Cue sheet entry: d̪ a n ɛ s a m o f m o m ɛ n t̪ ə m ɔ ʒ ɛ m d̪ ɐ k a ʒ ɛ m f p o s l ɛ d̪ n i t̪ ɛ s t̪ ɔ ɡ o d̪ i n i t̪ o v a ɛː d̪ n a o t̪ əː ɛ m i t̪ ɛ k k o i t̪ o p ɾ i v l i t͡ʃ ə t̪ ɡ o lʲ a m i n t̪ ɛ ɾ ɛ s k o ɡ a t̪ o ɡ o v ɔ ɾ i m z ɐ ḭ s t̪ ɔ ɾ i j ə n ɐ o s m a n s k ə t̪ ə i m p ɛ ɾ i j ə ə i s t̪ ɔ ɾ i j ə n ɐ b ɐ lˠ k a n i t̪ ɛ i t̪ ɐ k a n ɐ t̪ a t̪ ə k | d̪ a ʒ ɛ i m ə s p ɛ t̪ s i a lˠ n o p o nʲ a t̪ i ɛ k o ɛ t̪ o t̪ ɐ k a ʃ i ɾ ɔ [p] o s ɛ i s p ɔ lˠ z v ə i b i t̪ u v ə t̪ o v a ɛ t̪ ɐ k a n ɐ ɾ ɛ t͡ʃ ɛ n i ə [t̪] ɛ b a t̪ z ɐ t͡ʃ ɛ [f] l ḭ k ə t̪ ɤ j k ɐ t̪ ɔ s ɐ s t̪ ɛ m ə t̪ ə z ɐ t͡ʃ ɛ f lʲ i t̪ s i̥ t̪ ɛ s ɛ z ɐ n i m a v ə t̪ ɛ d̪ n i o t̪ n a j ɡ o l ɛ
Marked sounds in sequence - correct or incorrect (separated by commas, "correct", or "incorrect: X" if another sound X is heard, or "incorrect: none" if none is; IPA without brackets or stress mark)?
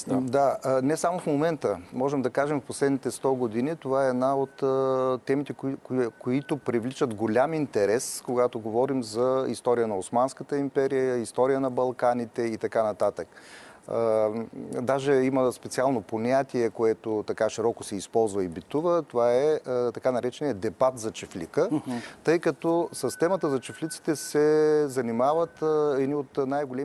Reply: incorrect: k, incorrect: d̪, correct